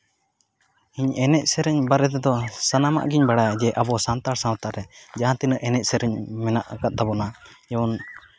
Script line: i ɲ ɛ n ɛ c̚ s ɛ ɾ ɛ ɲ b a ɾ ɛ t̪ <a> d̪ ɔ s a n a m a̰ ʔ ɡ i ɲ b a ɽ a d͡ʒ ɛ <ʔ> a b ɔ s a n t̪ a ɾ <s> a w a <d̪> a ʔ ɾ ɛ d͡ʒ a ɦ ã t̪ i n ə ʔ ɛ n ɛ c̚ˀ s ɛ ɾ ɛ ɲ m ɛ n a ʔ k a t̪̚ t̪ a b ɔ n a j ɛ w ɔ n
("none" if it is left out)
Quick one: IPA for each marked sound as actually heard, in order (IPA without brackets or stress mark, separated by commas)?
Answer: ɛ, ʔ, s, t̪